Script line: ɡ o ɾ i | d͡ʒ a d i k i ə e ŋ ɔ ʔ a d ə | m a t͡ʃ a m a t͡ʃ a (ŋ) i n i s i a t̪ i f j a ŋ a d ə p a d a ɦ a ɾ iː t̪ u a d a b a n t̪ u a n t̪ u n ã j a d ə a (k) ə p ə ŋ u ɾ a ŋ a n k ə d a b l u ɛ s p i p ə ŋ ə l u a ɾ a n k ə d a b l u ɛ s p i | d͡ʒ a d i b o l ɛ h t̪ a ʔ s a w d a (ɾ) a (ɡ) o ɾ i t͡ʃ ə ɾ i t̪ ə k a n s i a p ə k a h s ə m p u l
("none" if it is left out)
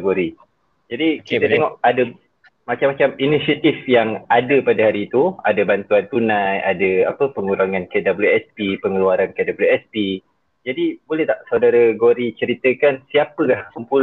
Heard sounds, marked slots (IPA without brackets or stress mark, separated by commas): m, p, ɾ, ɡ